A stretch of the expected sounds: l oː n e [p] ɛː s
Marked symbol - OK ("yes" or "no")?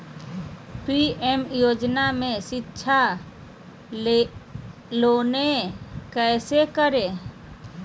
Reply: no